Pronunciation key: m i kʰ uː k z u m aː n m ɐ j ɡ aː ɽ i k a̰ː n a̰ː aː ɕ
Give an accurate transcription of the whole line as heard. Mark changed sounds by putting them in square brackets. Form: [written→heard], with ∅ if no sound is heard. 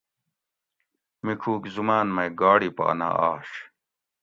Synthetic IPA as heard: m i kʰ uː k z u m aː n m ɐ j ɡ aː ɽ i [k→p] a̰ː n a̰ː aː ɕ